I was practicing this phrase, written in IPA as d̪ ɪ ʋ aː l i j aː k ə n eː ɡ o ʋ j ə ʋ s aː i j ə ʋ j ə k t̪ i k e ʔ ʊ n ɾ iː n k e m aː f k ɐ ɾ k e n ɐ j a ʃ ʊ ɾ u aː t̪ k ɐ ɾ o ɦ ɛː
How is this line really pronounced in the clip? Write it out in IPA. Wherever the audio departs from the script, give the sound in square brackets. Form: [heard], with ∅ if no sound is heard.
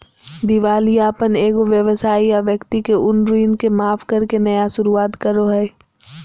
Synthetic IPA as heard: d̪ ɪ ʋ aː l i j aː [p] ə n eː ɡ o ʋ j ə ʋ s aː i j [a] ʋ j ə k t̪ i k e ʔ ʊ n ɾ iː n k e m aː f k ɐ ɾ k e n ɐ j a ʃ ʊ ɾ u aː t̪ k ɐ ɾ o ɦ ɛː